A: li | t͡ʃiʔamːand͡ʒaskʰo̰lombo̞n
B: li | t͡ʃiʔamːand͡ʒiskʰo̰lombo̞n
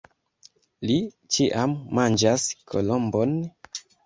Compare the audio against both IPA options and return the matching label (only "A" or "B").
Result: A